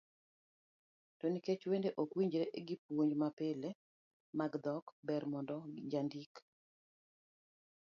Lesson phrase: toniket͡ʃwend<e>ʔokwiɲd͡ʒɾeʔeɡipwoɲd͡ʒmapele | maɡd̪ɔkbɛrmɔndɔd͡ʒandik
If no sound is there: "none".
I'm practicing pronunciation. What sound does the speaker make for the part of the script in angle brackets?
e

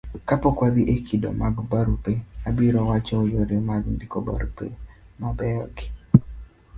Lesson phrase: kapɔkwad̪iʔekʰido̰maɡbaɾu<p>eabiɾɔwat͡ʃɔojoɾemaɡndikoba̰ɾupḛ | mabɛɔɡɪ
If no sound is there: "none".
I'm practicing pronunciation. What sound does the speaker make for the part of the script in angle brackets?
p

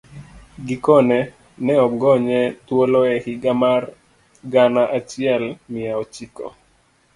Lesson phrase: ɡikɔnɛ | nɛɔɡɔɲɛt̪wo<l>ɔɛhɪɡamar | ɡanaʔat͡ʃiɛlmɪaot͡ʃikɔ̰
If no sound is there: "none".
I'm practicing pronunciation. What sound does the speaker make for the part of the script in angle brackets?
l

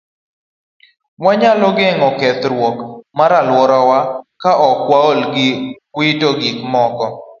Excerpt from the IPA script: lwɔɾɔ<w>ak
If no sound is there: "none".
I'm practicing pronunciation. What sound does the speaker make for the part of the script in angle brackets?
w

